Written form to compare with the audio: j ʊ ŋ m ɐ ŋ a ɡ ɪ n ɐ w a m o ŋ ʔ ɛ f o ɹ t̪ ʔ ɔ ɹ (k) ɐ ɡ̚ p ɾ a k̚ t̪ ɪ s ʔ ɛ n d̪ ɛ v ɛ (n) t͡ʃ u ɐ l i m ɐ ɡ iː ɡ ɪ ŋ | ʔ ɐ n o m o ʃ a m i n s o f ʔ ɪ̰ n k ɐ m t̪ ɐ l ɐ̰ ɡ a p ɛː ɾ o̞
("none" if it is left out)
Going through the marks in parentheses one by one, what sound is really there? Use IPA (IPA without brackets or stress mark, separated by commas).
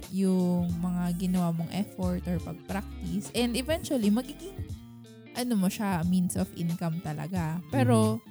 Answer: p, n